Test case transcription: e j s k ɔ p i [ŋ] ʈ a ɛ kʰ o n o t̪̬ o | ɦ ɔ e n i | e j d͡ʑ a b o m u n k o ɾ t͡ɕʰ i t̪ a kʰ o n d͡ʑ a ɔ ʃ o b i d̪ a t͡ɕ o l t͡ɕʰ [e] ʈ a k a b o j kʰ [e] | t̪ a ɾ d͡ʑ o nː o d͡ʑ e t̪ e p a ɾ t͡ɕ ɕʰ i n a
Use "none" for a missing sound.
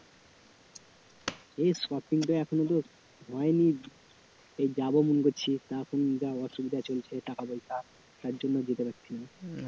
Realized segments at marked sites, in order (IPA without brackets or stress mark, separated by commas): ŋ, e, a